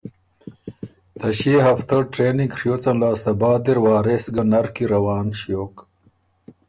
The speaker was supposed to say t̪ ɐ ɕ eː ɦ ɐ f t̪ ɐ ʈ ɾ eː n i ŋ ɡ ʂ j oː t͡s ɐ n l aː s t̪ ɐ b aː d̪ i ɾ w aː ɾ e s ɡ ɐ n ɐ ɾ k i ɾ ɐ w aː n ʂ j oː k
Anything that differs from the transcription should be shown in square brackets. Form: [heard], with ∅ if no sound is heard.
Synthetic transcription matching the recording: t̪ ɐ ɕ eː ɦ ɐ f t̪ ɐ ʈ ɾ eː n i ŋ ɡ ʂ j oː t͡s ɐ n l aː s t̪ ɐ b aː d̪ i ɾ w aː ɾ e s ɡ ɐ n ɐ ɾ k i ɾ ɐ w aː n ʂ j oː k